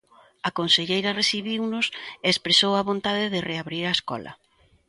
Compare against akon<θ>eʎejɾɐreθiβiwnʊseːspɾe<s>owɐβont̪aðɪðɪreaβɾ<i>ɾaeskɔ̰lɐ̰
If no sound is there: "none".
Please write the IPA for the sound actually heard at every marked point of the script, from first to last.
s, s, i

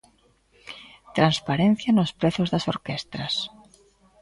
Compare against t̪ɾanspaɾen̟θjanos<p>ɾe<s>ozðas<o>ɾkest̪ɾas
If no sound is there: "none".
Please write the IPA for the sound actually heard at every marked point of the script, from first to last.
p, θ, o

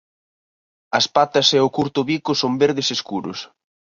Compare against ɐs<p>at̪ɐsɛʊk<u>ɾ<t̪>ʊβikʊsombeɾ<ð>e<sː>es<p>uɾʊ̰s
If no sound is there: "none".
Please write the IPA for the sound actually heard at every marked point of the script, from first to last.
p, u, t̪, ð, s, k

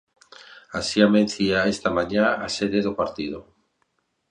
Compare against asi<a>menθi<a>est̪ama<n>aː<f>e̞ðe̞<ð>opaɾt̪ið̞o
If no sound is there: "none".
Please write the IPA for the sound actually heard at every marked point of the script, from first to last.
a, a, ɲ, s, ð

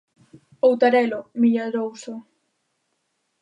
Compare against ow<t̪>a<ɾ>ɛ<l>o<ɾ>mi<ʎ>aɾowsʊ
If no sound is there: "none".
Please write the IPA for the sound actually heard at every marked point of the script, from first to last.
t̪, ɾ, l, none, ʎ

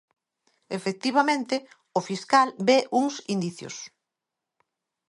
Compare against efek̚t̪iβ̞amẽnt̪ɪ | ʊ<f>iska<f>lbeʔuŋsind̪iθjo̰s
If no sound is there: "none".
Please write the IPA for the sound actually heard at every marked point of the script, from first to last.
f, none

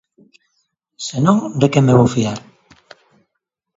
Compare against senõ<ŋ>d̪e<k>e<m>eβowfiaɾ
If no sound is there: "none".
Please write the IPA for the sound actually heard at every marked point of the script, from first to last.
ŋ, k, m

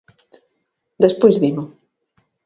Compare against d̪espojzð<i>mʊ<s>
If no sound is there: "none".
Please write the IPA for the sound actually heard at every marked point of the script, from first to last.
i, none

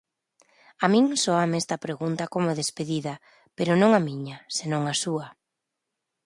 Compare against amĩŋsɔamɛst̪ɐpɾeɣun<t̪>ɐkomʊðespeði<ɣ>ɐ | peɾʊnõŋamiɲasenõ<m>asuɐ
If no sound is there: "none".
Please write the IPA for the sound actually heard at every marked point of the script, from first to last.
t̪, ð, ŋ

